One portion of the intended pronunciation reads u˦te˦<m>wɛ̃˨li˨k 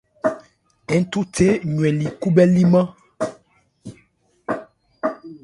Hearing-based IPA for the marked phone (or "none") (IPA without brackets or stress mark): ɲ